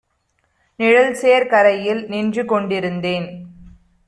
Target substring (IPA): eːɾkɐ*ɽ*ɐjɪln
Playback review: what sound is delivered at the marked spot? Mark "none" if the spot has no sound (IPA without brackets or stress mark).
ɾ